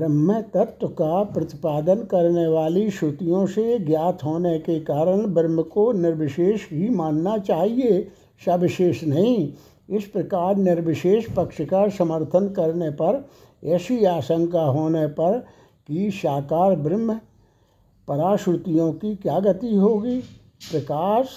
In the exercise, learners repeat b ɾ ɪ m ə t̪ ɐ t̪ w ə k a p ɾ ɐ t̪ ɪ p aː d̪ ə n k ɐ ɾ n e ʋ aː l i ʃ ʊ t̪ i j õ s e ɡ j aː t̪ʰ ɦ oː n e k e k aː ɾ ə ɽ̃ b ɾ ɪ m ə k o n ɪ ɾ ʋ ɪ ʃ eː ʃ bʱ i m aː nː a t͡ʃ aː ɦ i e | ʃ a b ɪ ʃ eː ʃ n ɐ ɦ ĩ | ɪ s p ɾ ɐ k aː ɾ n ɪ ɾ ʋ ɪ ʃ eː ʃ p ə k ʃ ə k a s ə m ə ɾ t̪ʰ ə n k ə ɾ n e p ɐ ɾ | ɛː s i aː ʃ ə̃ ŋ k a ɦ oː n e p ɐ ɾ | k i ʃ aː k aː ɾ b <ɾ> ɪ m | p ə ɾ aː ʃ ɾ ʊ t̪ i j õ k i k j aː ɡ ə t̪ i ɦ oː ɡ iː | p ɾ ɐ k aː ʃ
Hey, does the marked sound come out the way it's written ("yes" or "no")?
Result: yes